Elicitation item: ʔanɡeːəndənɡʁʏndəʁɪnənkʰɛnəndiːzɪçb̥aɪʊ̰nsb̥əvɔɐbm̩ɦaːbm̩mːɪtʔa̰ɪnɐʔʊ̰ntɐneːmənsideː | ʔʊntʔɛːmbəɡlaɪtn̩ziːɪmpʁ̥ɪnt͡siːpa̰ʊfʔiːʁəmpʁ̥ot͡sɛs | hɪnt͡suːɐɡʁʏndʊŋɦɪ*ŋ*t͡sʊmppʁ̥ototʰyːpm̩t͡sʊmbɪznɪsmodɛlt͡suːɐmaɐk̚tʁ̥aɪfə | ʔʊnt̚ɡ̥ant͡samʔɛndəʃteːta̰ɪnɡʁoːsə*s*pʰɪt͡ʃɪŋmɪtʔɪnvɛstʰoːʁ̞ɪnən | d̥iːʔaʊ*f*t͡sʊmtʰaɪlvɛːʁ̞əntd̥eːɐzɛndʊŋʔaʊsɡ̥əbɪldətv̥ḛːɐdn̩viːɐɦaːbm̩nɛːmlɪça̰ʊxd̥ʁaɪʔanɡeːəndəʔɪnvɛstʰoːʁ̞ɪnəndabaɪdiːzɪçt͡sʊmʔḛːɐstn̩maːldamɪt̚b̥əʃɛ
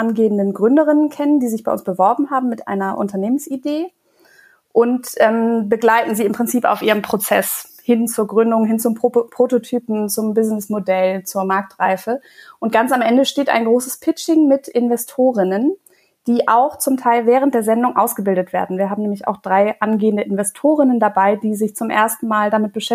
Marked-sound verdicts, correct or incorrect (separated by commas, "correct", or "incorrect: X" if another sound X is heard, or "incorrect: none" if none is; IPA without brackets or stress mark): incorrect: n, correct, incorrect: x